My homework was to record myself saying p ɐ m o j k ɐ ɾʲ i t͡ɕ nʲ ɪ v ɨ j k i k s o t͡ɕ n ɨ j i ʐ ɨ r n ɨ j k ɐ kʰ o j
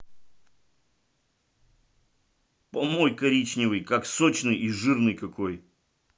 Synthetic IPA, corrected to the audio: p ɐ m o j k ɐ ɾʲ i t͡ɕ nʲ ɪ v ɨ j k a k s o t͡ɕ n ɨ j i ʐ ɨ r n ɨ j k ɐ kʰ o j

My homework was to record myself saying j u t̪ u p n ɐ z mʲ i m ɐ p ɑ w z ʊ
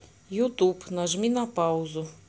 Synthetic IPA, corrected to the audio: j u t̪ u p n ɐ ʒ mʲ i n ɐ p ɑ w z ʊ

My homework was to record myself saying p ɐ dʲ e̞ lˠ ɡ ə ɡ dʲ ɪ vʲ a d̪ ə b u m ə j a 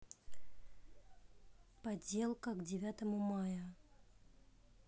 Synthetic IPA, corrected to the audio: p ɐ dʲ e̞ lˠ k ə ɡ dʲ ɪ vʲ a t̪ ə m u m a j ə

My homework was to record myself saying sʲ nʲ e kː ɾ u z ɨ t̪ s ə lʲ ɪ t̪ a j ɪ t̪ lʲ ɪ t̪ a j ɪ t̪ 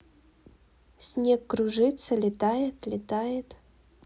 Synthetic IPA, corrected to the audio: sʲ nʲ e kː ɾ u ʐ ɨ t̪ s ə lʲ ɪ t̪ a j ɪ t̪ lʲ ɪ t̪ a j ɪ t̪

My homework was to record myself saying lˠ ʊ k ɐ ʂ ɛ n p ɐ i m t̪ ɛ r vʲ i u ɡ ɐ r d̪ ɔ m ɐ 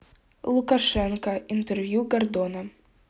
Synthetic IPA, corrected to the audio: lˠ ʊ k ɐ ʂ ɛ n k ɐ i n t̪ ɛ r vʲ j u ɡ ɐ r d̪ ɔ n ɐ

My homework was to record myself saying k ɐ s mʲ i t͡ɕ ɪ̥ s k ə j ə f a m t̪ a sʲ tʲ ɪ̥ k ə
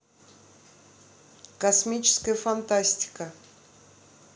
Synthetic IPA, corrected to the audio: k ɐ s mʲ i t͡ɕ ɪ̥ s k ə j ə f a n t̪ a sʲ tʲ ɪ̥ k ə

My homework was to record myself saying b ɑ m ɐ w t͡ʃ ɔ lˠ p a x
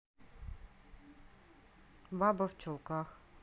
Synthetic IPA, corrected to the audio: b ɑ b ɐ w t͡ʃ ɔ lˠ k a x

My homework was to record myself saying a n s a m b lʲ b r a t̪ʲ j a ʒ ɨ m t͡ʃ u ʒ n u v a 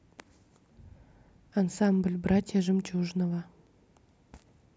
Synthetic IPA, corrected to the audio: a n s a m b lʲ b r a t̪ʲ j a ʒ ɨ m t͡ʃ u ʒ n o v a

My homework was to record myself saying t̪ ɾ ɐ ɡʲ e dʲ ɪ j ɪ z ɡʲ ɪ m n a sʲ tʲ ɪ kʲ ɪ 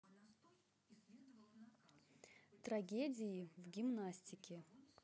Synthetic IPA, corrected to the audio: t̪ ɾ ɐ ɡʲ e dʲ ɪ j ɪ v ɡʲ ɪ m n a sʲ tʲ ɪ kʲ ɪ

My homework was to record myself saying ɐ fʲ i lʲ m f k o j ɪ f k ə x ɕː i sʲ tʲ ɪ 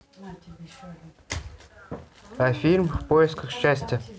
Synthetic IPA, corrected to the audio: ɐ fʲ i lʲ m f p o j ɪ s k ə x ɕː æ sʲ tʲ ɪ

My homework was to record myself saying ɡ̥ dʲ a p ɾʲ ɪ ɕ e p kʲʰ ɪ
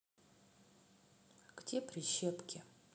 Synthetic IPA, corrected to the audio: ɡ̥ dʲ e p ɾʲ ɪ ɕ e p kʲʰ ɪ

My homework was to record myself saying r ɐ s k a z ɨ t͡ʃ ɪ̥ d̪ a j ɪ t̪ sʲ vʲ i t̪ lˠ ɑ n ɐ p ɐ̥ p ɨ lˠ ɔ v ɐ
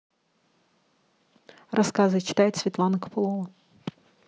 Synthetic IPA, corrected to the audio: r ɐ s k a z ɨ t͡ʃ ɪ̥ t̪ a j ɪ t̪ sʲ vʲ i t̪ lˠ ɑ n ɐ k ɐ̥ p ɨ lˠ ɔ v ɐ

